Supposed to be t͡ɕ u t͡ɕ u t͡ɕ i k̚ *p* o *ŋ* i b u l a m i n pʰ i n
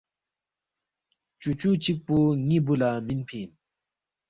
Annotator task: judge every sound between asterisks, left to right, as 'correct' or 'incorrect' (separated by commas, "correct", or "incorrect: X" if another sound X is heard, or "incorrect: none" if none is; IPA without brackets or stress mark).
correct, correct